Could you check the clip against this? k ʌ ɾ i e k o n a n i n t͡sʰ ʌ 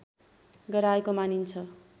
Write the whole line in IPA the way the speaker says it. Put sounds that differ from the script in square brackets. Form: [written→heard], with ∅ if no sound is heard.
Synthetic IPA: [k→ɡ] ʌ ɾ [i→a] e k o [n→m] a n i n t͡sʰ ʌ